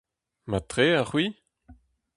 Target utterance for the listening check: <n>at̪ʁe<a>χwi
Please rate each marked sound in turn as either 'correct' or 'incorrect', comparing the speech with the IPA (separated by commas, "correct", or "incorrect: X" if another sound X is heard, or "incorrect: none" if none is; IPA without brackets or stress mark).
incorrect: m, correct